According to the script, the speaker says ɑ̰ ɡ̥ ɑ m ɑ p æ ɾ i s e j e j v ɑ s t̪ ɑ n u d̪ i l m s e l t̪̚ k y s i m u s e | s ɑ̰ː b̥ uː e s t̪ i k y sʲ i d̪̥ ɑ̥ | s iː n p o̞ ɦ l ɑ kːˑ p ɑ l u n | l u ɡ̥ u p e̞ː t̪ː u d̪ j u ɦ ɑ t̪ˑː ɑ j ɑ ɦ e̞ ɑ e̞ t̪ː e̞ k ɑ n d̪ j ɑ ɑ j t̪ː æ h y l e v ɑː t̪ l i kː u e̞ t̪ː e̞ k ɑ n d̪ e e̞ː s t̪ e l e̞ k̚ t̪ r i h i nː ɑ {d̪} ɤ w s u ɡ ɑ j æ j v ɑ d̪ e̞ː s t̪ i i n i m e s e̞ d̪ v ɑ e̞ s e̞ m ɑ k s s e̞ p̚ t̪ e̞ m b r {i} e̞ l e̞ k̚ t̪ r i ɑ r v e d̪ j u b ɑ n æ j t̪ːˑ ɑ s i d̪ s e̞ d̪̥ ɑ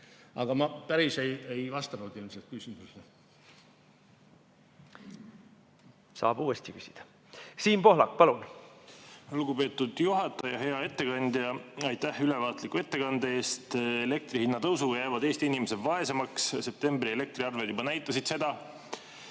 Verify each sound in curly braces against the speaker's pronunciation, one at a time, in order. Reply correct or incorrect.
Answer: incorrect: t̪, correct

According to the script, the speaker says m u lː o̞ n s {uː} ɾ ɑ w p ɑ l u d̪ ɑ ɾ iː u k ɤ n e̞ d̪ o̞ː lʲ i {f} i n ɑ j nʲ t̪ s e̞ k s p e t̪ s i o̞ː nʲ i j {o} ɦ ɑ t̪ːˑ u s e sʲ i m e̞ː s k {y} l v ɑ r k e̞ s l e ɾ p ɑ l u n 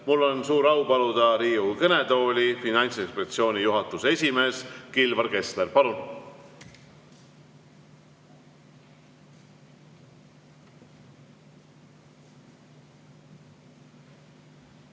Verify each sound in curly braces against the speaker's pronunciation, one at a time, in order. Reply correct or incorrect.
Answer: correct, correct, incorrect: u, incorrect: i

